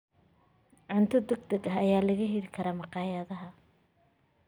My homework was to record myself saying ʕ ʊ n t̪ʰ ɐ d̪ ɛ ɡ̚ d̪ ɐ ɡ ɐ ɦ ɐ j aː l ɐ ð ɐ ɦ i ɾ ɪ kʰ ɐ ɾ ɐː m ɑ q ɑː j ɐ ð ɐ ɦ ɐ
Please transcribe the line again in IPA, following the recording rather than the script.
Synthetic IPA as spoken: ʕ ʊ n t̪ʰ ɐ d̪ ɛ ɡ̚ d̪ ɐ ɡ ɐ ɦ ɐ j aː l ɐ ɣ ɐ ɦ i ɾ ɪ kʰ ɐ ɾ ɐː m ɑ q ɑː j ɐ ð ɐ ɦ ɐ